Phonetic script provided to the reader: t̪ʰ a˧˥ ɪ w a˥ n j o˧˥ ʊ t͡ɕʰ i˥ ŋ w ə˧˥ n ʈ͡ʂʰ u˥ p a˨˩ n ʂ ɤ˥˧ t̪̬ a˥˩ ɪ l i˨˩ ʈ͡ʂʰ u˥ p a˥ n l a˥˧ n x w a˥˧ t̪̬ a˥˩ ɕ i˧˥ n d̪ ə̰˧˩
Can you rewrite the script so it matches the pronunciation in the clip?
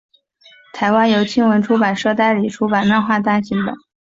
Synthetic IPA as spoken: t̪ʰ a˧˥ ɪ w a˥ n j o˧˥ ʊ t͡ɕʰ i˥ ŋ w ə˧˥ n ʈ͡ʂʰ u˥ p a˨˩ n ʂ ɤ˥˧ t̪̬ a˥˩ ɪ l i˨˩ ʈ͡ʂʰ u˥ p a˨˩ n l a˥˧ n x w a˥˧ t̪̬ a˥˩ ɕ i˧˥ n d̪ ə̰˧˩